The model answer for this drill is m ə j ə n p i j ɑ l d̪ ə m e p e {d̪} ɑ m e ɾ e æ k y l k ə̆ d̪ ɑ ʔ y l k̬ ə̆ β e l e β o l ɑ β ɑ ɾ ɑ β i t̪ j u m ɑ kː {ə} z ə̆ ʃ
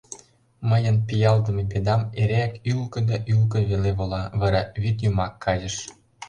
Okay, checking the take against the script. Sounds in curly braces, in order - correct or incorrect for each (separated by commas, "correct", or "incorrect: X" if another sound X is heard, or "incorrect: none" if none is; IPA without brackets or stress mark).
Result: correct, incorrect: ɑ